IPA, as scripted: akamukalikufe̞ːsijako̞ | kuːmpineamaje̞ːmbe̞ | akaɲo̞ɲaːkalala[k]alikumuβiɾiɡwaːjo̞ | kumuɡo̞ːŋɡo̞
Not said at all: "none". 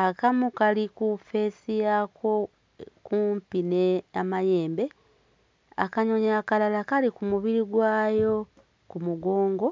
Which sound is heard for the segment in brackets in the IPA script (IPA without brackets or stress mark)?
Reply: k